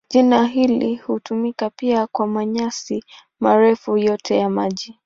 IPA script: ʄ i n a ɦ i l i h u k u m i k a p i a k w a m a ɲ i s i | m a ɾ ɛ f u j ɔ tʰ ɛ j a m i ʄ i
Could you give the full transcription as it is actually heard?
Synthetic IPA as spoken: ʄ i n a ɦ i l i h u t u m i k a p i a k w a m a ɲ a s i | m a ɾ ɛ f u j ɔ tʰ ɛ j a m a ʄ i